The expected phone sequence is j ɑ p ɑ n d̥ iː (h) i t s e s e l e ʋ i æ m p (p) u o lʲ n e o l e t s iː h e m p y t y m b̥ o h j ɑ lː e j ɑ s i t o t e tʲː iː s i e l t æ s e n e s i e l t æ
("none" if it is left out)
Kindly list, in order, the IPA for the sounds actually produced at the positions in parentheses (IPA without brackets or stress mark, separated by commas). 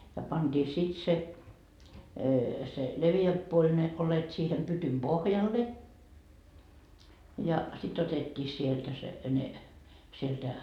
s, p